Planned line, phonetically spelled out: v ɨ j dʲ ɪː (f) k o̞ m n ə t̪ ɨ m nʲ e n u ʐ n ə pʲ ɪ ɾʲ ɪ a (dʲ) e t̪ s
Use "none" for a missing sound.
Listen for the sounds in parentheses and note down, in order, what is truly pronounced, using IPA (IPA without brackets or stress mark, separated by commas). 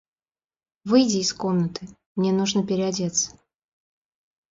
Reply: s, dʲ